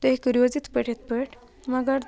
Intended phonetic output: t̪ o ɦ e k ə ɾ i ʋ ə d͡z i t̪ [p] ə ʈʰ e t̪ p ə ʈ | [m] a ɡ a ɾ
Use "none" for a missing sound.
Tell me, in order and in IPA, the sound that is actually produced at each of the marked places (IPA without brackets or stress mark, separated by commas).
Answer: p, m